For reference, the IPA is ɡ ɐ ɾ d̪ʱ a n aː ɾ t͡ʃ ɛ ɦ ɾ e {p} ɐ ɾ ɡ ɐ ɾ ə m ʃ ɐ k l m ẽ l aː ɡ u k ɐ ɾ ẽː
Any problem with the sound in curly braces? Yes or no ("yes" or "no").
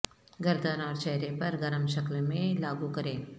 no